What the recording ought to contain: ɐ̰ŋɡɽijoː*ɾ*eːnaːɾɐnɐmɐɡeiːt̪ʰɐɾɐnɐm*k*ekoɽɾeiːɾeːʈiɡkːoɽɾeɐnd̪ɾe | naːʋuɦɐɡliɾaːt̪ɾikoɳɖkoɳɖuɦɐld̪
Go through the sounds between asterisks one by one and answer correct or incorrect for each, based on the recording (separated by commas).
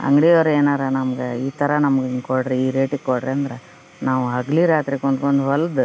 correct, incorrect